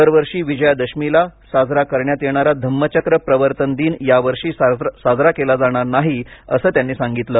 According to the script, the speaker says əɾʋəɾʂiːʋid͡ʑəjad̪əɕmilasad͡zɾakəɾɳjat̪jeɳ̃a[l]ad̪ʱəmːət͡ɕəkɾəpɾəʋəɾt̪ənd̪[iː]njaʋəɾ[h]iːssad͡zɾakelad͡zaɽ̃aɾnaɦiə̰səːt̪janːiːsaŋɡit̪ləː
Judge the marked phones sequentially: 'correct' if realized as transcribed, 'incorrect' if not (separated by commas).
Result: incorrect, correct, incorrect